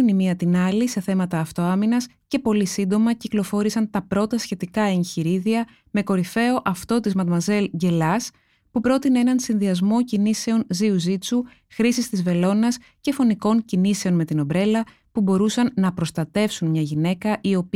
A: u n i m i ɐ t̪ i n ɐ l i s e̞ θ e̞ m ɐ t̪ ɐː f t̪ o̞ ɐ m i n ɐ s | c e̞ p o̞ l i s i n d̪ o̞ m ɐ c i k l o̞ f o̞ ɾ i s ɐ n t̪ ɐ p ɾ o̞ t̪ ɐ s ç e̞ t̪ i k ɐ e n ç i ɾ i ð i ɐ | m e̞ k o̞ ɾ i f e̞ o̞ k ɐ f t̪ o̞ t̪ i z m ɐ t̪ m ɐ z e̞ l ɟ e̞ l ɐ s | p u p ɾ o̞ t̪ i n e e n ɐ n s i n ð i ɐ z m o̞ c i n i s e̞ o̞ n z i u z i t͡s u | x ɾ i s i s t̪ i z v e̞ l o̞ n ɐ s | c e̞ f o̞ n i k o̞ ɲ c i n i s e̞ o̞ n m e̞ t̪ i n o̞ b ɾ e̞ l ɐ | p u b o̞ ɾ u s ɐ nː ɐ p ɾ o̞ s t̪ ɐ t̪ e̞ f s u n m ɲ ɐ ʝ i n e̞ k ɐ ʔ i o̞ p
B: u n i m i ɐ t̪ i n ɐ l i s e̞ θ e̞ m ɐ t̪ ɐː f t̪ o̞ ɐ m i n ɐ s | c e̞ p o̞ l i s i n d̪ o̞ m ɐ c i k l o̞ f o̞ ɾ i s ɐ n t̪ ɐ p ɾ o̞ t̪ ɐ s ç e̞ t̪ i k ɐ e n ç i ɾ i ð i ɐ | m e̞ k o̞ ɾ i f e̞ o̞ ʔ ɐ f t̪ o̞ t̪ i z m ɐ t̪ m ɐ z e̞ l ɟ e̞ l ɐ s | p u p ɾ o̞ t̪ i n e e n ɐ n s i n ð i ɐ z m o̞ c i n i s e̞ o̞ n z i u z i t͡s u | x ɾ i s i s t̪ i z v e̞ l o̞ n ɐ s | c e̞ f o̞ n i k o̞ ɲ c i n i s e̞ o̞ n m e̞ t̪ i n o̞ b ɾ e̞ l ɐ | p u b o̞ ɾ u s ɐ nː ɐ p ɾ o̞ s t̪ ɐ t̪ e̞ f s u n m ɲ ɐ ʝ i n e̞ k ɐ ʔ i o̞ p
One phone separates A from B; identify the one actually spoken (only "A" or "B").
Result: B